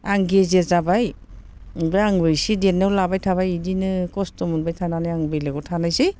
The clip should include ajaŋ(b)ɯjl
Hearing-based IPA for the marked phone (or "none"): b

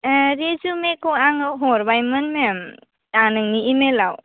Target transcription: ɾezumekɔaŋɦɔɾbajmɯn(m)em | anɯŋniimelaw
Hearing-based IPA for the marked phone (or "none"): m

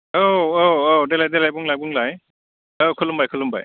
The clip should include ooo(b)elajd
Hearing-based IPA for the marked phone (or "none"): d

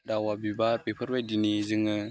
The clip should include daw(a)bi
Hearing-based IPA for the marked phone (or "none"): a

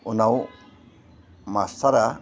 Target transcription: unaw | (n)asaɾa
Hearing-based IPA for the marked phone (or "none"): m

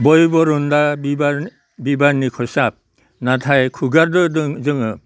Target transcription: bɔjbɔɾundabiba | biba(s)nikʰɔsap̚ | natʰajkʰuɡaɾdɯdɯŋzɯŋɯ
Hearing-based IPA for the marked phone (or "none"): none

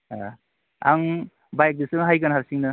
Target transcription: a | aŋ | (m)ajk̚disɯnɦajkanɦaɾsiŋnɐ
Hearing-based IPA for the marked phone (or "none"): b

